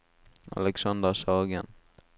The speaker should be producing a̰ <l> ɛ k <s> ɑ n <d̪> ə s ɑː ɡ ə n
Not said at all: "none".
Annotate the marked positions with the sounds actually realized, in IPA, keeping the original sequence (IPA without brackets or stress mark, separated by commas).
l, s, d̪